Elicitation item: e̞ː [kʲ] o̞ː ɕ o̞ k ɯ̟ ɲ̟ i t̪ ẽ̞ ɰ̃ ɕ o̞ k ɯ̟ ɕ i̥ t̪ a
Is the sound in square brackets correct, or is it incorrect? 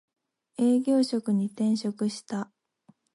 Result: incorrect